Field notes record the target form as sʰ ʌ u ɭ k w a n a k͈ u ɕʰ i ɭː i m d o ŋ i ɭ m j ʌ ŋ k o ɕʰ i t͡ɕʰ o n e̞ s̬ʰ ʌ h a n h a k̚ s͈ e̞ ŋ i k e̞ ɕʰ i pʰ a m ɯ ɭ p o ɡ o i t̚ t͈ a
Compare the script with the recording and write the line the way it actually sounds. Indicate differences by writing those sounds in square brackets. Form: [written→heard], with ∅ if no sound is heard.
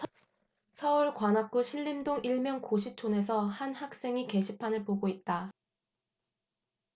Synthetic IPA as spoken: sʰ ʌ u ɭ k w a n a k͈ u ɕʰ i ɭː i m d o ŋ i ɭ m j ʌ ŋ k o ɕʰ i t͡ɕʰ o n e̞ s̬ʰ ʌ h a n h a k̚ s͈ e̞ ŋ i k e̞ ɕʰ i pʰ a [m→n] ɯ ɭ p o ɡ o i t̚ t͈ a